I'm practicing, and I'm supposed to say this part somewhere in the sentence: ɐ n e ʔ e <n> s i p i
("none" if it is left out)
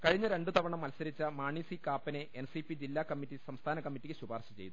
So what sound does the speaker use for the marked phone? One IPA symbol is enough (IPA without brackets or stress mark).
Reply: n